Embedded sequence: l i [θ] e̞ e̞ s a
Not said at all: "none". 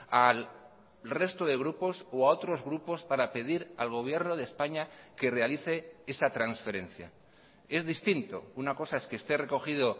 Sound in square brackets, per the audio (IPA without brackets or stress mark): θ